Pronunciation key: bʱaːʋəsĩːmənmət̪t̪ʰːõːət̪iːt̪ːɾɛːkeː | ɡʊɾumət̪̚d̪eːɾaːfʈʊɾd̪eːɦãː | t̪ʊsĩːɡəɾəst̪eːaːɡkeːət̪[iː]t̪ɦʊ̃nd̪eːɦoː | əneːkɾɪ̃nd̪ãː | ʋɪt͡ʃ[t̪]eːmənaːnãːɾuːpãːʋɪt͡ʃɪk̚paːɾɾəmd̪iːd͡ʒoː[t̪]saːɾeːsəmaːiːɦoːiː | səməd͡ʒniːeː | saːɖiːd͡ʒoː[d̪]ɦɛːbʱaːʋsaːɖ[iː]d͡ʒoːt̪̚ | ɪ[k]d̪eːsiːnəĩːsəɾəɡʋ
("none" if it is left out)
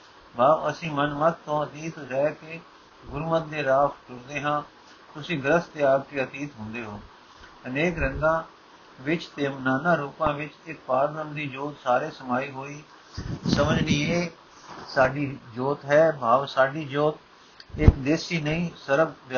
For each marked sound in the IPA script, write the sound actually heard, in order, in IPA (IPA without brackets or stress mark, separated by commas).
iː, t̪, t̪, t̪, iː, k